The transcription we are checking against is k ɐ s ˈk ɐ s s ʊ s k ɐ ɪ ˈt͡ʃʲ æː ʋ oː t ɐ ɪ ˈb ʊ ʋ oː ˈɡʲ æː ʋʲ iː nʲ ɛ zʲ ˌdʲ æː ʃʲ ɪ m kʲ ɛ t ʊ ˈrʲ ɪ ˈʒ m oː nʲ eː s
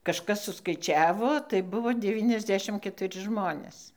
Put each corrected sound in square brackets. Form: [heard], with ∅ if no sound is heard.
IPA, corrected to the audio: k ɐ [ʃ] ˈk ɐ s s ʊ s k ɐ ɪ ˈt͡ʃʲ æː ʋ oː t ɐ ɪ ˈb ʊ ʋ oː [ˈdʲ] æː ʋʲ iː nʲ ɛ zʲ ˌdʲ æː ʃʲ ɪ m kʲ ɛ t ʊ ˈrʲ ɪ ˈʒ m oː nʲ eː s